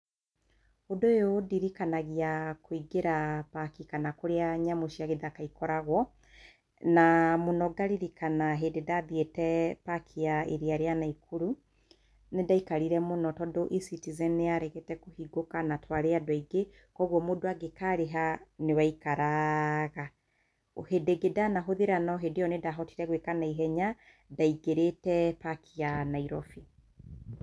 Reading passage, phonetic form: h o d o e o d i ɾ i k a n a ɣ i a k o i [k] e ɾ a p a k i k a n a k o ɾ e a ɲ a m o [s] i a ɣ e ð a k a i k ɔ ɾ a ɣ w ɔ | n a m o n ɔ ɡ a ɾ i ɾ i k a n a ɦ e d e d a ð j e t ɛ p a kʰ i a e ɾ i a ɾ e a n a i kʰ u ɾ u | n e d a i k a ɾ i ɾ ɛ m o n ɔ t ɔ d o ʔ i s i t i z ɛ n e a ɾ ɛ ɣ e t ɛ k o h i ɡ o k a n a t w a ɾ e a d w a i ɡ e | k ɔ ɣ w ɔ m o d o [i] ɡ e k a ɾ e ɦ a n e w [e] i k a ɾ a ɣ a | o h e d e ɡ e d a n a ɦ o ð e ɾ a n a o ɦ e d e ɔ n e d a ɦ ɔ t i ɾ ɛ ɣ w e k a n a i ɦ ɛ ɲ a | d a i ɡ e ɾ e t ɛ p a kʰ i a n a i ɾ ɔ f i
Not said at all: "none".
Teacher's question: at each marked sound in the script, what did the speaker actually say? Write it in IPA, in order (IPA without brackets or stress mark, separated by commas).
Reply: ɡ, ʃ, a, a